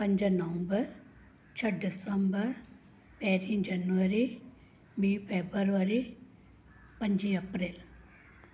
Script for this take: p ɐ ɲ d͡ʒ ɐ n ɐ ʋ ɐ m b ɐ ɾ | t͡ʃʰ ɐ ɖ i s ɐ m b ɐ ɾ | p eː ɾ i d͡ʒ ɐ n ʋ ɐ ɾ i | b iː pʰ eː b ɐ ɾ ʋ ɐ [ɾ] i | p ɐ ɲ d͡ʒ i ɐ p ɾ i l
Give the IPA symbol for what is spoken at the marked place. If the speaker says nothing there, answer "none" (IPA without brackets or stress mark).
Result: ɾ